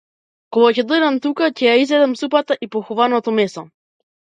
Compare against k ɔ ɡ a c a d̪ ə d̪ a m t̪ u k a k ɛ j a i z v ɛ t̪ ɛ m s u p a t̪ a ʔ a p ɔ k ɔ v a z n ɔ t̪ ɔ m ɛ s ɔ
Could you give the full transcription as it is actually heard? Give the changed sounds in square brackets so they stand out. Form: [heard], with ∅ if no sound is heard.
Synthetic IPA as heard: k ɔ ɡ a c [ɛ] d̪ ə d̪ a m t̪ u k a [c] ɛ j a i z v ɛ [d̪] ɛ m s u p a t̪ a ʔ [i] p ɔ [x] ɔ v a [∅] n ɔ t̪ ɔ m ɛ s ɔ